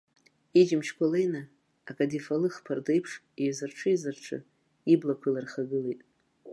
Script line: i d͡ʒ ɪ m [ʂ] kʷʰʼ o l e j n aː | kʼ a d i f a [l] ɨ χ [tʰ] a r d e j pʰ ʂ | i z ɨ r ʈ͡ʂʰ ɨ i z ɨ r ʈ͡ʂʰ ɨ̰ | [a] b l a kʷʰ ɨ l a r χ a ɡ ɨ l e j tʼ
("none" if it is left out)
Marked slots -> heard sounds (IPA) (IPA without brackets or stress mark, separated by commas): ʃ, l, pʰ, i